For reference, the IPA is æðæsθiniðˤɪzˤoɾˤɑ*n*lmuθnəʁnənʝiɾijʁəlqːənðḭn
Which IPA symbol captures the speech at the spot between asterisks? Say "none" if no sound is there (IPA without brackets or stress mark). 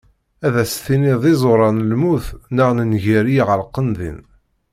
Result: n